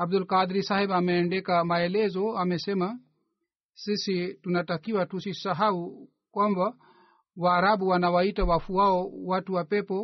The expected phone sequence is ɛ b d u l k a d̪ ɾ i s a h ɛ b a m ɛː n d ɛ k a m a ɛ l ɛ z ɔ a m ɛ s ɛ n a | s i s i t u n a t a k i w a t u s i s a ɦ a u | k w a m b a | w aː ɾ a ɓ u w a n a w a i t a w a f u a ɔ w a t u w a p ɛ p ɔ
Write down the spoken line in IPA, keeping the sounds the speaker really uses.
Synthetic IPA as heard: a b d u l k a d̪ ɾ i s a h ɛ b a m ɛː n d ɛ k a m a ɛ l ɛ z ɔ a m ɛ s ɛ m a | s i s i t u n a t a k i w a t u s i s a ɦ a u | k w a m b a | w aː ɾ a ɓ u w a n a w a i t a w a f u a ɔ w a t u w a p ɛ p ɔ